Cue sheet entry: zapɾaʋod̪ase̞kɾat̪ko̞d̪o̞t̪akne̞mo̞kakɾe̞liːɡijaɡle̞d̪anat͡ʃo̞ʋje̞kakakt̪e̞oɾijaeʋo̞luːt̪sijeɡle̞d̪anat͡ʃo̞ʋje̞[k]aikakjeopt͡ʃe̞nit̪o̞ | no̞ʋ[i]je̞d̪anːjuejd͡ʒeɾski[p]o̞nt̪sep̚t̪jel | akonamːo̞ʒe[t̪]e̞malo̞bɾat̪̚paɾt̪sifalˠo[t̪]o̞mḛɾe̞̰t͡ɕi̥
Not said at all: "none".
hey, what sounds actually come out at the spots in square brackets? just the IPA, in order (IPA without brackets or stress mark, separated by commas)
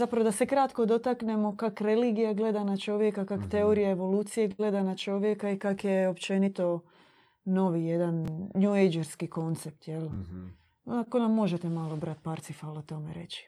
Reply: k, i, k, t̪, t̪